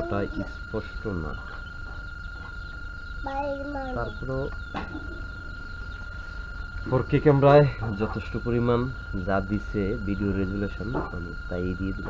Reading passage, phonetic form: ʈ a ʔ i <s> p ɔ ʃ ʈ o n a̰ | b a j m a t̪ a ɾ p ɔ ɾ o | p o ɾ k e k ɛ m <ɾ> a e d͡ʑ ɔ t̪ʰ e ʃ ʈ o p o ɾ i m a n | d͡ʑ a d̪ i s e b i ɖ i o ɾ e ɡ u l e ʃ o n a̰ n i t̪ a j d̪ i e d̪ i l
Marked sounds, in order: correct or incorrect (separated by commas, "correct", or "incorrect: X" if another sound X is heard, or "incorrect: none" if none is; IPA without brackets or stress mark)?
correct, correct